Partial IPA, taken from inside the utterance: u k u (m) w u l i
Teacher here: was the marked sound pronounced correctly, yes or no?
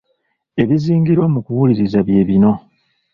no